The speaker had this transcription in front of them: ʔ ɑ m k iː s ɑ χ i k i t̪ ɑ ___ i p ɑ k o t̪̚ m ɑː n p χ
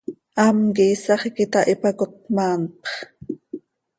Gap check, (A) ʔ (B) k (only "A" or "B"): A